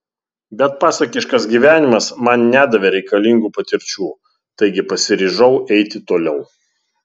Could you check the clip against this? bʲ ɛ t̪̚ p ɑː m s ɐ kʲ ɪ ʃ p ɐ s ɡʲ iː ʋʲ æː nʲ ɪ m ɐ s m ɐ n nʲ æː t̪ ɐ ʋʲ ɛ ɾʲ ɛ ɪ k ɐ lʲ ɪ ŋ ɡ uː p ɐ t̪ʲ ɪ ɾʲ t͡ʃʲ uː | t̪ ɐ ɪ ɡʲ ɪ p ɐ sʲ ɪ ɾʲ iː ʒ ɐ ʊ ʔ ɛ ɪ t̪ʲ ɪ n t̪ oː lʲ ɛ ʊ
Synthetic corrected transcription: bʲ ɛ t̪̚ p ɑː s ɐ kʲ ɪ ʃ k ɐ s ɡʲ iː ʋʲ æː nʲ ɪ m ɐ s m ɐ n nʲ æː d̪ ɐ ʋʲ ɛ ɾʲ ɛ ɪ k ɐ lʲ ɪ ŋ ɡ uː p ɐ t̪ʲ ɪ ɾʲ t͡ʃʲ uː | t̪ ɐ ɪ ɡʲ ɪ p ɐ sʲ ɪ ɾʲ iː ʒ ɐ ʊ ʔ ɛ ɪ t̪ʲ ɪ t̪ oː lʲ ɛ ʊ